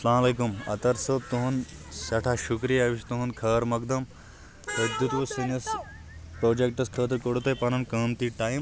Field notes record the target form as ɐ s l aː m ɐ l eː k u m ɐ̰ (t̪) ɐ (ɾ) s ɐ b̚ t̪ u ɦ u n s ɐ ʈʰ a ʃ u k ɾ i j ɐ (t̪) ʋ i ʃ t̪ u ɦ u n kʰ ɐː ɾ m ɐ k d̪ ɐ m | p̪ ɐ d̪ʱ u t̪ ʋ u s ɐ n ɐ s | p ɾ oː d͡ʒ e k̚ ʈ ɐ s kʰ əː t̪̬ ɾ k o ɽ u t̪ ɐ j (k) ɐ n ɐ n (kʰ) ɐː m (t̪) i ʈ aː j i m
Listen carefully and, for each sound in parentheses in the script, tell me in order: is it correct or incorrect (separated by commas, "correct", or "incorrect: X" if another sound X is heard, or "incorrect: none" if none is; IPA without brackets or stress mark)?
correct, correct, incorrect: none, incorrect: p, incorrect: k, correct